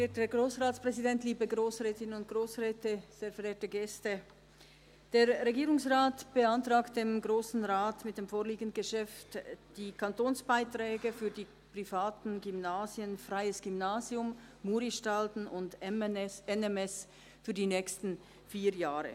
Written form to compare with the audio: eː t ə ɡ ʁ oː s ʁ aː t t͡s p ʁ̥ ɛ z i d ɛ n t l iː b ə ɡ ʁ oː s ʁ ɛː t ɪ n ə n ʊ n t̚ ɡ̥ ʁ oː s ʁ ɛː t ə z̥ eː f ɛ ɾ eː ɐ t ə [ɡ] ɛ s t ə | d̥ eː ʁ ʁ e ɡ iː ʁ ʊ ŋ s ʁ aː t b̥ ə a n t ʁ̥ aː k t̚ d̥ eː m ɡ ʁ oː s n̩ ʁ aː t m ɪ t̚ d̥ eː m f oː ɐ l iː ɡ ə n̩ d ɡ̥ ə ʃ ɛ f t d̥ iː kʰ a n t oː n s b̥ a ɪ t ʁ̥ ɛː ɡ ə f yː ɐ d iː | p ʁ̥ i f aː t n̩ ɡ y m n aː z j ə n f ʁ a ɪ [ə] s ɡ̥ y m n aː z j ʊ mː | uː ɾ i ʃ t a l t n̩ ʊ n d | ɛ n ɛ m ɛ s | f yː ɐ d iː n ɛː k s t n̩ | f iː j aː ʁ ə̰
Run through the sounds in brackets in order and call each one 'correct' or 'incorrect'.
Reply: correct, correct

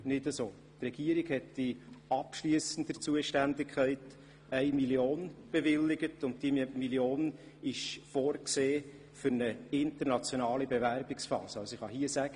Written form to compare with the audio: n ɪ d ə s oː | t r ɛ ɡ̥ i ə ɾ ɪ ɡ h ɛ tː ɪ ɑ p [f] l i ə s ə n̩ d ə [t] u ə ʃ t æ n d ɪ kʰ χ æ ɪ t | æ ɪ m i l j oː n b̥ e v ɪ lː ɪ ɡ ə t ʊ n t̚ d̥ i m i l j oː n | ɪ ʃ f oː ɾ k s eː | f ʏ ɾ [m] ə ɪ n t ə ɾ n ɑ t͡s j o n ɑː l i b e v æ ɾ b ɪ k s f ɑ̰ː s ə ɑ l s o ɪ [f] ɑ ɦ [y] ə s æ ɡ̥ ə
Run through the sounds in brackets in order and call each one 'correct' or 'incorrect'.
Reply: incorrect: ʃ, incorrect: t͡s, incorrect: n, incorrect: χ, incorrect: i

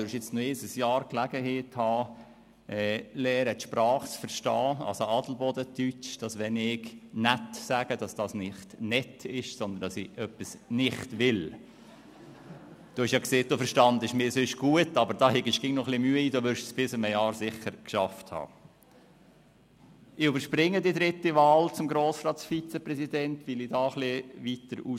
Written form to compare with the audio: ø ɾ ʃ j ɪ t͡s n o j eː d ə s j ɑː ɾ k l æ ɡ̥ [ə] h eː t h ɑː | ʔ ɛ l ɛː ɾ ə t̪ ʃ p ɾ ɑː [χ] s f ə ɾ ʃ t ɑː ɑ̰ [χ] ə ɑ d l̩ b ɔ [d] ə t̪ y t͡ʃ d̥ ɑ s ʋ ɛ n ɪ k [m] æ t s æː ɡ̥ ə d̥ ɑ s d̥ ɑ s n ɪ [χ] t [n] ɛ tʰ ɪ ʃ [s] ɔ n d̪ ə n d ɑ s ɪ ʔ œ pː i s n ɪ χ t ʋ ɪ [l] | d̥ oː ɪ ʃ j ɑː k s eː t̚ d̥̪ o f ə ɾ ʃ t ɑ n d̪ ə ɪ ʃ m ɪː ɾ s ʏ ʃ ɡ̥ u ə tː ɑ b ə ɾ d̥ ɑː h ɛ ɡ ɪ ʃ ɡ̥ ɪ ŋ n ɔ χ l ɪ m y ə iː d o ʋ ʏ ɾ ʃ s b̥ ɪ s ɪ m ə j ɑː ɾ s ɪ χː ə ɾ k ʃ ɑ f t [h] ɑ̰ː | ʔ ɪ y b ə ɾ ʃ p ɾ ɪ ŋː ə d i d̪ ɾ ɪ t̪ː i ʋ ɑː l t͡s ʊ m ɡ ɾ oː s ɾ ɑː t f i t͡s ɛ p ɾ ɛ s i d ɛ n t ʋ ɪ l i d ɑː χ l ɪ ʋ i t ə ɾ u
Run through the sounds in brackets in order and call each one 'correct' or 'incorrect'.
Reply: correct, correct, incorrect: s, correct, incorrect: n, correct, correct, correct, correct, correct

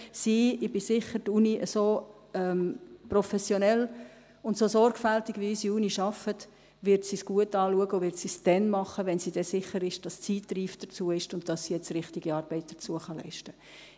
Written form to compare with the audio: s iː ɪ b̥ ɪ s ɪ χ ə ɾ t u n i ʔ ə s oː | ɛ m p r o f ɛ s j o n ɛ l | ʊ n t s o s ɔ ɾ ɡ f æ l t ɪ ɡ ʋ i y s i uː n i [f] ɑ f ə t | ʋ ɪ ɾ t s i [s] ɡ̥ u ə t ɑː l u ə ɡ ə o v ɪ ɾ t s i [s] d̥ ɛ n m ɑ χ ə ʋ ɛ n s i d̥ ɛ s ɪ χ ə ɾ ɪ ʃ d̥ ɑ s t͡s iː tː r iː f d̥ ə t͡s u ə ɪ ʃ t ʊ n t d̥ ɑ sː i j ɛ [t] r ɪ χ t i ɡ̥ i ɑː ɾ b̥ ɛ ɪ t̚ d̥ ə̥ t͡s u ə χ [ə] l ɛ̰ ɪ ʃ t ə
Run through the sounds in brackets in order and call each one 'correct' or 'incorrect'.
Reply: incorrect: ʃ, correct, correct, incorrect: t͡s, incorrect: ɑ

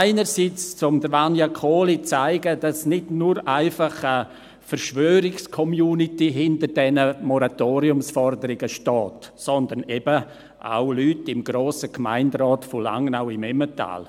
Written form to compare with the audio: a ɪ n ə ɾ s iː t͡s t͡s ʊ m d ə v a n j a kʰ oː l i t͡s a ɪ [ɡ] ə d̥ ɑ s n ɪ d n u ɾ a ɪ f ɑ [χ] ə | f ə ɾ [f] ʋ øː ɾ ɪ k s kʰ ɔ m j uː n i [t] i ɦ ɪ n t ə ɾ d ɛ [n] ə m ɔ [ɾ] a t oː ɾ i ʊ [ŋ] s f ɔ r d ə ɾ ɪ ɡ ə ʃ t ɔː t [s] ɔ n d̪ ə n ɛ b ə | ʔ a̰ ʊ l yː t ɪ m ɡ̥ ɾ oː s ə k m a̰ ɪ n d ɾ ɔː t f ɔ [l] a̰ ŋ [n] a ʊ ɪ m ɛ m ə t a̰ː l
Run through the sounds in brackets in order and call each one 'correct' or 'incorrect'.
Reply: correct, correct, incorrect: ʃ, correct, correct, correct, incorrect: m, correct, correct, correct

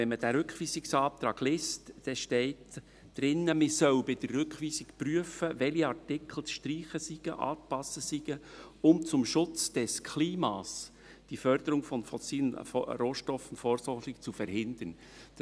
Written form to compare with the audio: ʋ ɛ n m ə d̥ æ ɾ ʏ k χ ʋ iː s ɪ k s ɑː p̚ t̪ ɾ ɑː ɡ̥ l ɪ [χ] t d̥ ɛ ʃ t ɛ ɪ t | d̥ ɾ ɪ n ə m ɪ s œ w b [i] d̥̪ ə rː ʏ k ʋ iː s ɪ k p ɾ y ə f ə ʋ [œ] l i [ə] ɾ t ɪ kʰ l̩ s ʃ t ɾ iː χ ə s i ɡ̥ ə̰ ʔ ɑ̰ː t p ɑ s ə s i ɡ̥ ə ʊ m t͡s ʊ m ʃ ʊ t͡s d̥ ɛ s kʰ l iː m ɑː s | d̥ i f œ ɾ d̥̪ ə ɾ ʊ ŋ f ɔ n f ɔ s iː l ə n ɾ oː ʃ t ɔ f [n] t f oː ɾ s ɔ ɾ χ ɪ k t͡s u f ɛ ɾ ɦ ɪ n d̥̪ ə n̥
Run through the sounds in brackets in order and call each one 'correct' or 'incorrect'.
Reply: incorrect: s, incorrect: ɪ, incorrect: ɛ, incorrect: ɑ, correct

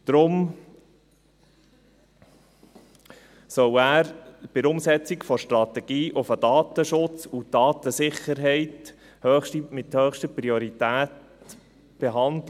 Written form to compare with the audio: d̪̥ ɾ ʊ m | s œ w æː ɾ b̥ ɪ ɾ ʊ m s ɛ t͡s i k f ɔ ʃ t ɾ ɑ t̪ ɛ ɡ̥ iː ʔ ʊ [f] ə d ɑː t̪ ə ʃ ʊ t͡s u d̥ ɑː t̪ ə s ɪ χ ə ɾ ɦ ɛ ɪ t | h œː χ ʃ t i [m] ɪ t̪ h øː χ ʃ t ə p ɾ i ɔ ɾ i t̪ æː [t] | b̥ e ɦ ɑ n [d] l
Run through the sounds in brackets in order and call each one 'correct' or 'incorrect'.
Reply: correct, correct, correct, correct

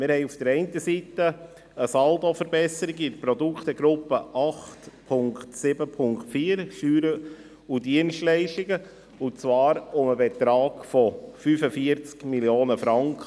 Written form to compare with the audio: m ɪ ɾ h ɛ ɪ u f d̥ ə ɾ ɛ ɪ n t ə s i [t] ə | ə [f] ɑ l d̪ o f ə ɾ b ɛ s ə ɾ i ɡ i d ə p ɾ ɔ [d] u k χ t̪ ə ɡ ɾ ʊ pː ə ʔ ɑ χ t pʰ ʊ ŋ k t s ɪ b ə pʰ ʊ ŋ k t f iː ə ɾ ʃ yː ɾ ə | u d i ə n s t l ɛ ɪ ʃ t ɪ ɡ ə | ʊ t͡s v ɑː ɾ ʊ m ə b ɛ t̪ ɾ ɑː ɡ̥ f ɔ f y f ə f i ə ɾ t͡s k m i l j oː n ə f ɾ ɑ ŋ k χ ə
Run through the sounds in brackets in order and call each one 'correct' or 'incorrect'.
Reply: correct, incorrect: s, correct

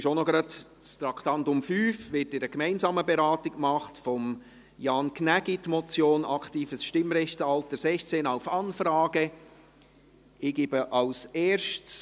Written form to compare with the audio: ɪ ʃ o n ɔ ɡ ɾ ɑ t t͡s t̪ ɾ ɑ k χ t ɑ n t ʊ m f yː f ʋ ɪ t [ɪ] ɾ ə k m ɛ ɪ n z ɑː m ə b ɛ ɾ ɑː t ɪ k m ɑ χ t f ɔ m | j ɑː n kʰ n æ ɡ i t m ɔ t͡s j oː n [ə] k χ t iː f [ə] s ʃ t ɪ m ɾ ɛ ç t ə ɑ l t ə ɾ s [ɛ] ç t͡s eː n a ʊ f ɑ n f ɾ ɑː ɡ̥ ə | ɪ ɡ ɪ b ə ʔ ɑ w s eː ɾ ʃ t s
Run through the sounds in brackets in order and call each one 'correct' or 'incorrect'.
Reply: correct, incorrect: ɑ, correct, correct

